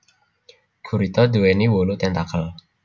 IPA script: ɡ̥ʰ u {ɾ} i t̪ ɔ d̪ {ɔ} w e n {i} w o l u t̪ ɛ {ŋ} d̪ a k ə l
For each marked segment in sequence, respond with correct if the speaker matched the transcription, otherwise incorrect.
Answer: correct, incorrect, correct, incorrect

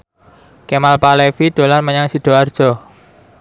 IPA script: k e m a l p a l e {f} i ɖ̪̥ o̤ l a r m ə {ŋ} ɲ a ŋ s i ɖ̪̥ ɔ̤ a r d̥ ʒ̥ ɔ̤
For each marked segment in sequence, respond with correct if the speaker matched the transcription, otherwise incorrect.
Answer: correct, incorrect

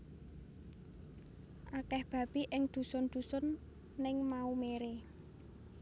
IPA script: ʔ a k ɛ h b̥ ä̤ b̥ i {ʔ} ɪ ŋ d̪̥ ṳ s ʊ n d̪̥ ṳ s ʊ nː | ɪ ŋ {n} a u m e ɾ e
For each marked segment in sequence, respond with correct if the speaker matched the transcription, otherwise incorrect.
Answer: correct, incorrect

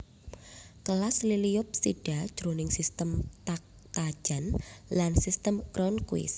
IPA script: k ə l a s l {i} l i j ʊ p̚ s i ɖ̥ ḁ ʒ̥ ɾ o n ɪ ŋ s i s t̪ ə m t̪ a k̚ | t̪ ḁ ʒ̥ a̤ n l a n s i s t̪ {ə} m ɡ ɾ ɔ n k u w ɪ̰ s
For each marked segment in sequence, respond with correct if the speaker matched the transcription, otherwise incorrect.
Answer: correct, correct

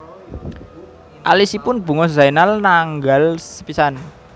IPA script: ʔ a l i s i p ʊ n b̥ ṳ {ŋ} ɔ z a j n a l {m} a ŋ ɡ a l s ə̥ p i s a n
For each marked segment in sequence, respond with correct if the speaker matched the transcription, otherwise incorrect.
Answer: correct, incorrect

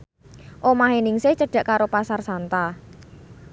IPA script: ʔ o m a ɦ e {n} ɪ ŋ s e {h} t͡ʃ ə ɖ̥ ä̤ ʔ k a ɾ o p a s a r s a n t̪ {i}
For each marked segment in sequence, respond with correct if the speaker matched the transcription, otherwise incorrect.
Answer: correct, correct, incorrect

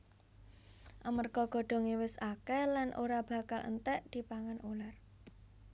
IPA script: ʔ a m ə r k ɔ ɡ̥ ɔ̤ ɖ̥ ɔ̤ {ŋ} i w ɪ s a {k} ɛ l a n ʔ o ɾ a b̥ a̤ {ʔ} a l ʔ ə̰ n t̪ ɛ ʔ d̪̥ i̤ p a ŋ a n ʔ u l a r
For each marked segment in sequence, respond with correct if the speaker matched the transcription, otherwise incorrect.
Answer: correct, correct, incorrect

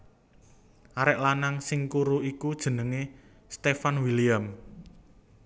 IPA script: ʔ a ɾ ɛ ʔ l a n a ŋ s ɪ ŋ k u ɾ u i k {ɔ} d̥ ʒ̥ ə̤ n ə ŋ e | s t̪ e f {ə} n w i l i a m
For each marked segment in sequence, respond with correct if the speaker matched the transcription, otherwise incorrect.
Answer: incorrect, incorrect

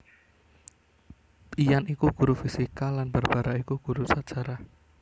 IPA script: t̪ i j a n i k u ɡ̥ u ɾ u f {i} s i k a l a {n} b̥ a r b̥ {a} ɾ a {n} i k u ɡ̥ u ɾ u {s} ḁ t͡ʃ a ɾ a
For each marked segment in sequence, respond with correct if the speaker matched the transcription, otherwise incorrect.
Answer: correct, correct, correct, incorrect, correct

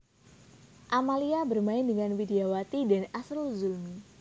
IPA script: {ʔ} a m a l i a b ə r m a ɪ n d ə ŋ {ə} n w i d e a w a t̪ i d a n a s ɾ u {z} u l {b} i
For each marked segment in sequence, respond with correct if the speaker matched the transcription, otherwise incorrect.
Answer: correct, incorrect, correct, incorrect

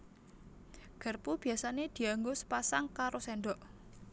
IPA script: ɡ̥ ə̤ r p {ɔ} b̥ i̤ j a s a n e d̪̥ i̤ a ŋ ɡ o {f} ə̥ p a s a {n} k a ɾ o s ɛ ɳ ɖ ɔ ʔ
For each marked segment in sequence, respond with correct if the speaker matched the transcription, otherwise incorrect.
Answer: incorrect, incorrect, incorrect

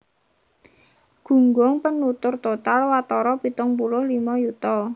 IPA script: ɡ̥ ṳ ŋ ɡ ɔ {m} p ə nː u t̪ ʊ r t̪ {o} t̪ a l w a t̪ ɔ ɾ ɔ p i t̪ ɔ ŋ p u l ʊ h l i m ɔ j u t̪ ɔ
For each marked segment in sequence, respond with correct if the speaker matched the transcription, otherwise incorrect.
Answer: incorrect, correct

